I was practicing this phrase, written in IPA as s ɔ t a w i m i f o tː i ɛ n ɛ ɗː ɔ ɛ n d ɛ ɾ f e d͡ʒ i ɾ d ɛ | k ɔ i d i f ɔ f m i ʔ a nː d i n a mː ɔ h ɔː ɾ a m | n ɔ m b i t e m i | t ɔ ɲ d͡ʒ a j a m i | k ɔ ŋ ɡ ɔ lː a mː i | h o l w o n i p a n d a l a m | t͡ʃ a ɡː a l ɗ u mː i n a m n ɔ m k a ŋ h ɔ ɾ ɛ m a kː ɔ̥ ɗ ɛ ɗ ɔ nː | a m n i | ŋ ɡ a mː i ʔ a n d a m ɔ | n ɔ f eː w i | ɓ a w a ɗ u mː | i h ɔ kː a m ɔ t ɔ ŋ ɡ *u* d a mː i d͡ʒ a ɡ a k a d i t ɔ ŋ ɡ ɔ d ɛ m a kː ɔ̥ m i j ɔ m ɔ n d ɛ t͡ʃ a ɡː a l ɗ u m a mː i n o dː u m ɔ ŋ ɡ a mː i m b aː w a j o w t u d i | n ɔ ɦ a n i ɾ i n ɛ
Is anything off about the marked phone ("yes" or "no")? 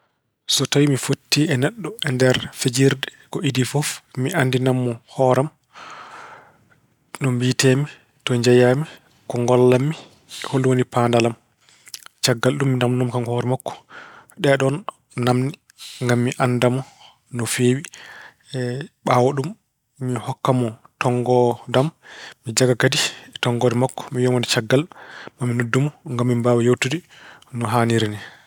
yes